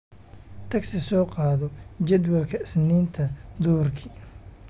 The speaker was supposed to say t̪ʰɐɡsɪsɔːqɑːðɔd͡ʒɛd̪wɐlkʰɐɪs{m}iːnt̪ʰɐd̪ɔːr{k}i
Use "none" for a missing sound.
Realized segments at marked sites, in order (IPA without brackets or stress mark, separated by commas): n, kʰ